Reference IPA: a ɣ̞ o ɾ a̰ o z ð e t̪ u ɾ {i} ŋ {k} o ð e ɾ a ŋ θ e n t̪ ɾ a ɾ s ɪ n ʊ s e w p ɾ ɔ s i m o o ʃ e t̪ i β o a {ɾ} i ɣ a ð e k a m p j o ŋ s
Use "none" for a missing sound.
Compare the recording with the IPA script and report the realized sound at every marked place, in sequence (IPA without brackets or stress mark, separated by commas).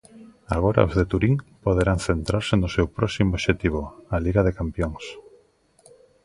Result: i, p, l